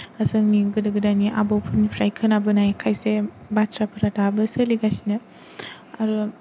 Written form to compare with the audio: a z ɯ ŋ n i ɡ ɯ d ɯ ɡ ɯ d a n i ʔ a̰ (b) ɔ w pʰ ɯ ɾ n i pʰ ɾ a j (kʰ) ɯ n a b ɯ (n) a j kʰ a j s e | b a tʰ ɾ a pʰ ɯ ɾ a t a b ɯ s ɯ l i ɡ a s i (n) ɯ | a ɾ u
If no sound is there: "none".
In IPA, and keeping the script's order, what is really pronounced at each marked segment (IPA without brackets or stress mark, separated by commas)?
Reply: b, kʰ, n, n